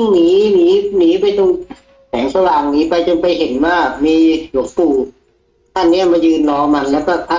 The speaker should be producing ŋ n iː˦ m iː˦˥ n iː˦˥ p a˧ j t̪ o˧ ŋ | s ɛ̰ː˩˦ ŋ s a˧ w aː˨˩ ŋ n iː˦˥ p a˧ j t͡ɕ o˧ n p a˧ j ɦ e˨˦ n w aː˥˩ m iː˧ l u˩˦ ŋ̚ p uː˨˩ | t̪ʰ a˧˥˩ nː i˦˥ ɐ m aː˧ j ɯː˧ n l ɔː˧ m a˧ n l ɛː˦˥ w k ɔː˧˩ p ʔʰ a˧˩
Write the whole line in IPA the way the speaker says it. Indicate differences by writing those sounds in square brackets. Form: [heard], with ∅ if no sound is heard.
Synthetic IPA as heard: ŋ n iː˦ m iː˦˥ n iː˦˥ p a˧ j t̪ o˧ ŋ | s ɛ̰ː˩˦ ŋ s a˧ w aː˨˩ ŋ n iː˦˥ p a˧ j t͡ɕ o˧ n p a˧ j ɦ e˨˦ n w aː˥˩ m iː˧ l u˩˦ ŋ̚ p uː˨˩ | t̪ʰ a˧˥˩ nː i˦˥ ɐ m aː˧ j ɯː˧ n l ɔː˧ m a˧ n l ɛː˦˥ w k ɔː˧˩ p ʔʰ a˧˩